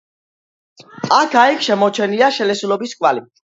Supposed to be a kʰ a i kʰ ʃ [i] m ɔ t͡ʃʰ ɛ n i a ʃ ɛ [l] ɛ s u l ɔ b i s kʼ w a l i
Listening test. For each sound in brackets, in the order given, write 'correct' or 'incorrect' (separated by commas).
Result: incorrect, correct